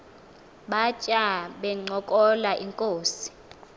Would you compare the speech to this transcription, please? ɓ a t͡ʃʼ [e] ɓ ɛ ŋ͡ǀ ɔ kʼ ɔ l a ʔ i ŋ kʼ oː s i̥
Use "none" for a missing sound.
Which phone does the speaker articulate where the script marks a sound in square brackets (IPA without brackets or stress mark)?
a